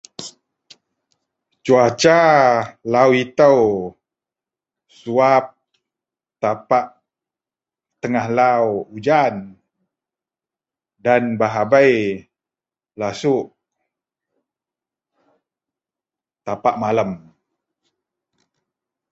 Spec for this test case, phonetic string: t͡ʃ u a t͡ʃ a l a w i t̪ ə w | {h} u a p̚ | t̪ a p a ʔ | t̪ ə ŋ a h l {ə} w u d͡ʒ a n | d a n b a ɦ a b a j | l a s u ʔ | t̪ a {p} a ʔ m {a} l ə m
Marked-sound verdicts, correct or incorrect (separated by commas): incorrect, incorrect, correct, correct